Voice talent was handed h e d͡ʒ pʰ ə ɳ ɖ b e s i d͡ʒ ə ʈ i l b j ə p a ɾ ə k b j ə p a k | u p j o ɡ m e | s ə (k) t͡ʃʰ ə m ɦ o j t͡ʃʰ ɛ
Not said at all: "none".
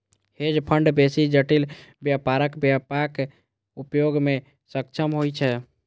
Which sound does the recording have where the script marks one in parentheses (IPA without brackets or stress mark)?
k